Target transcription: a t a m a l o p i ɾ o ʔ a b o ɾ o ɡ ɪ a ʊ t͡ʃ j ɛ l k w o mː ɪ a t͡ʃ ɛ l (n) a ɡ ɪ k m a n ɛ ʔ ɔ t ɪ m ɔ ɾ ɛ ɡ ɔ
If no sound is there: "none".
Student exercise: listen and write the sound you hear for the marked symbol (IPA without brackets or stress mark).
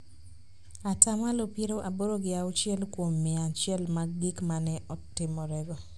m